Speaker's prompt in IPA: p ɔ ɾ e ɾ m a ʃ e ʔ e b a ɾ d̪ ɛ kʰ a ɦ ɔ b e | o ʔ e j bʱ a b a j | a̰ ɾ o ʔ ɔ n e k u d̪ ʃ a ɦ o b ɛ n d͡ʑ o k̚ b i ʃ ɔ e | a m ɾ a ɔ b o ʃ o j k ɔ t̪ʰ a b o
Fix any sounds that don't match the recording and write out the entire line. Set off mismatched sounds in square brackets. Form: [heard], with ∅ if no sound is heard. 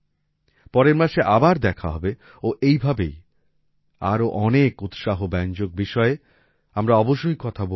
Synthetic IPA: p ɔ ɾ e ɾ m a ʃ e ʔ [a] b a ɾ d̪ ɛ kʰ a ɦ ɔ b e | o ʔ e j bʱ a b [e] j | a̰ ɾ o ʔ ɔ n e k u [t̪] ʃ a ɦ o b ɛ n d͡ʑ o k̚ b i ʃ ɔ e | a m ɾ a ɔ b o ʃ o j k ɔ t̪ʰ a b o